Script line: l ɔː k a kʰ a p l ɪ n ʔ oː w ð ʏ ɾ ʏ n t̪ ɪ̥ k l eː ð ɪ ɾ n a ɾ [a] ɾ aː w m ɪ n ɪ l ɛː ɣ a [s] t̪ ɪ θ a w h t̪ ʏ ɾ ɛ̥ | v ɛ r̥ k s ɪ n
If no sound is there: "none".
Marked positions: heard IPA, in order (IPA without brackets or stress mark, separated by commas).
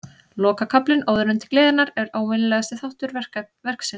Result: ɛ, s